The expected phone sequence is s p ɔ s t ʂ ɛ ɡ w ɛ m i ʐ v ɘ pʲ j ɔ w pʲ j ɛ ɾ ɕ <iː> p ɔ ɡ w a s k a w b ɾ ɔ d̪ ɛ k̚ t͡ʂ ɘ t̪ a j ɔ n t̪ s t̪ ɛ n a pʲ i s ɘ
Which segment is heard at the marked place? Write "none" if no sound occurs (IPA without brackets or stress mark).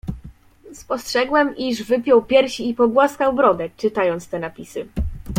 iː